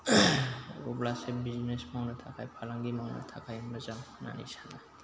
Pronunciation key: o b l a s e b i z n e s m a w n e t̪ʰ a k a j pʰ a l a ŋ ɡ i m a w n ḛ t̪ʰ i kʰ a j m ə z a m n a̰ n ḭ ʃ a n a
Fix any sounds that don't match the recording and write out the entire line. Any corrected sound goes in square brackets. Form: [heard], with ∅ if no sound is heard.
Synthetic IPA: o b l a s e b i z n e s m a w n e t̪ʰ a k a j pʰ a l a ŋ ɡ i m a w n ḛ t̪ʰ [a] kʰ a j m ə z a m n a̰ n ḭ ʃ a n a